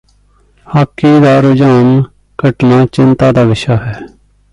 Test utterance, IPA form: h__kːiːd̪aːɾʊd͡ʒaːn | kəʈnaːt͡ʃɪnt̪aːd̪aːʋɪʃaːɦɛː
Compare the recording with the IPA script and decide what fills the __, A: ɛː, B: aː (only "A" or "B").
B